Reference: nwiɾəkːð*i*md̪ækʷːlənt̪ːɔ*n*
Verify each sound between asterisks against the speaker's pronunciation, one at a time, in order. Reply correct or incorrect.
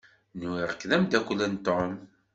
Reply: incorrect: æ, incorrect: m

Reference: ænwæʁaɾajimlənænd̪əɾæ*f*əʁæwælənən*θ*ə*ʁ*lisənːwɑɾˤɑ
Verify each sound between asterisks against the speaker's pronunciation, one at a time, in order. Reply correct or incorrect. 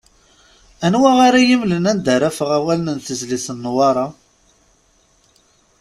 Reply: correct, correct, incorrect: z

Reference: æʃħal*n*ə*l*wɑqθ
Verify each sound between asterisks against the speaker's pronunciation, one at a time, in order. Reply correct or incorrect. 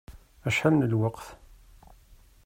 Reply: correct, correct

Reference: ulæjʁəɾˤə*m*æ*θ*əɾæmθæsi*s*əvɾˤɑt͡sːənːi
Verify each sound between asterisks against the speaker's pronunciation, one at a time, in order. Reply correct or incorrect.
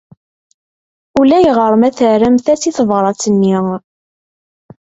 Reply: correct, correct, incorrect: θ

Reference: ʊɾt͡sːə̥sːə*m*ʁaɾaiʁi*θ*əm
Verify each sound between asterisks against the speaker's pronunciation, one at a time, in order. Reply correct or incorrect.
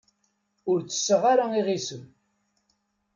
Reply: incorrect: none, incorrect: s

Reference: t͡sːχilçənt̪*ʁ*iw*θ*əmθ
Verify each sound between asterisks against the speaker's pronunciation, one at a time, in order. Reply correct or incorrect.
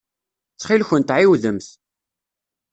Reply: incorrect: ʕ, incorrect: ð

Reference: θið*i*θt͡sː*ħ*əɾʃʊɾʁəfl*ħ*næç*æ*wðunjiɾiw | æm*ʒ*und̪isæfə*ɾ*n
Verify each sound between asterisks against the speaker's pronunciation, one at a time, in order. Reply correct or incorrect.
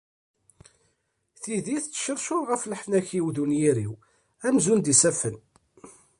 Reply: correct, incorrect: ʃ, correct, incorrect: i, incorrect: z, incorrect: none

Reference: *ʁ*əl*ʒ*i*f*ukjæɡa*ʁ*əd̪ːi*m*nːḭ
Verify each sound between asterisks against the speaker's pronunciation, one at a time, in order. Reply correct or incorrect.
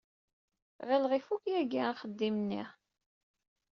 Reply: correct, incorrect: ʁ, correct, incorrect: χ, correct

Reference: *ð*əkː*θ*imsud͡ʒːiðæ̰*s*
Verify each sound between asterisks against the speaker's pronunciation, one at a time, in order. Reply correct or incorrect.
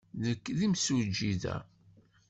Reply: correct, incorrect: ð, incorrect: none

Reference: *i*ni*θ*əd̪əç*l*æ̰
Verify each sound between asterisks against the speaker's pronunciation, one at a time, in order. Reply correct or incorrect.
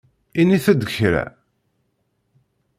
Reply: correct, correct, incorrect: ɾ

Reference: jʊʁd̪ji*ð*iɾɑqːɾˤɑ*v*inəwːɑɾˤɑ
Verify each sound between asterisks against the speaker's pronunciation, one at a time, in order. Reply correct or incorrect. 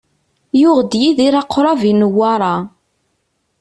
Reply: correct, correct

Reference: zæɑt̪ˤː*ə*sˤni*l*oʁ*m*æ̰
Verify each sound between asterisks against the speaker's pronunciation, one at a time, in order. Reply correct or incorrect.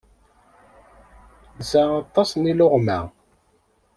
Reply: incorrect: ɑ, correct, correct

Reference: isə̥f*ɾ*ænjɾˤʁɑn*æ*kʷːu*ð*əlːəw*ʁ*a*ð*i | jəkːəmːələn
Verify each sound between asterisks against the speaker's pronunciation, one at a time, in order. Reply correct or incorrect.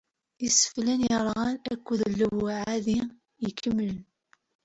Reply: incorrect: l, correct, correct, incorrect: ʕ, correct

